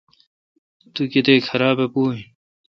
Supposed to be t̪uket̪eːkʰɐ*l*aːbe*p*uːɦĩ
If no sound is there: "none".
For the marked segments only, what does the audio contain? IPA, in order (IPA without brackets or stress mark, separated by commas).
ɾ, p